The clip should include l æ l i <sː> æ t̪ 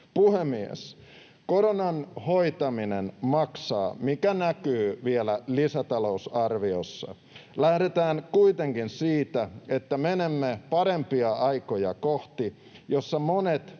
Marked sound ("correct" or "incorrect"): incorrect